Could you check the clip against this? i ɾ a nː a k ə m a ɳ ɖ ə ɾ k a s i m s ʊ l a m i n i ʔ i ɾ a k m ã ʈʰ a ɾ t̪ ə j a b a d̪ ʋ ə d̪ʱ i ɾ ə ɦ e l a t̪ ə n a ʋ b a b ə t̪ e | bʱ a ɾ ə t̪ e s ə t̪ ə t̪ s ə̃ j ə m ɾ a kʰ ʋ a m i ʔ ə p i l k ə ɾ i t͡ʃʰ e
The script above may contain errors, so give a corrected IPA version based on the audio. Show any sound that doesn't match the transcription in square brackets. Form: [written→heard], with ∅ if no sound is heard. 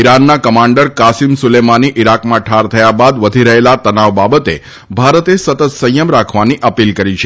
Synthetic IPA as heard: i ɾ a nː a k ə m a ɳ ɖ ə ɾ k a s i m s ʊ l [a→e] m [i→a] n i ʔ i ɾ a k m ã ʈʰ a ɾ [t̪→t̪ʰ] ə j a b a d̪ ʋ ə d̪ʱ i ɾ ə ɦ e l a t̪ ə n a ʋ b a b ə t̪ e | bʱ a ɾ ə t̪ e s ə t̪ ə t̪ s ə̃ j ə m ɾ a kʰ ʋ a [m→n] i ʔ ə p i l k ə ɾ i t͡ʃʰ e